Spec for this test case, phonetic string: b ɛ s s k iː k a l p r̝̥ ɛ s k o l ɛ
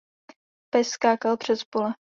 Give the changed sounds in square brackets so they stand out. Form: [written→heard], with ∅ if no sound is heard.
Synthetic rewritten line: [b→p] ɛ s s k [iː→aː] k a l p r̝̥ ɛ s [k→p] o l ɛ